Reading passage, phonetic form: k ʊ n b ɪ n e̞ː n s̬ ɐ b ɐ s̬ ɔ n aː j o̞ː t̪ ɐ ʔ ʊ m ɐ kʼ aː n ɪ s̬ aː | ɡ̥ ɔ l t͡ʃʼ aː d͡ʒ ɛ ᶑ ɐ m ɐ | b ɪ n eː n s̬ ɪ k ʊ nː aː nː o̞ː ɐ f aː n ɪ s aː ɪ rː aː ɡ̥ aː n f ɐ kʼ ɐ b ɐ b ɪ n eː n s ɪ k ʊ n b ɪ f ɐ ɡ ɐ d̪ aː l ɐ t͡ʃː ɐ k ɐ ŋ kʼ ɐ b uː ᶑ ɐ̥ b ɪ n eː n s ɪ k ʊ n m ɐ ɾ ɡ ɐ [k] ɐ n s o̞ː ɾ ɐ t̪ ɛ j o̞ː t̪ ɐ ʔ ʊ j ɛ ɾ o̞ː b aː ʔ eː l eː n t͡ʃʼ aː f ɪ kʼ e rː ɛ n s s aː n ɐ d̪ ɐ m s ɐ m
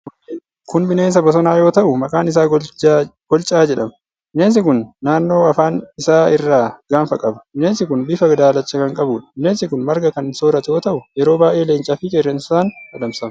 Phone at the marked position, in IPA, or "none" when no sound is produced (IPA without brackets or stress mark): k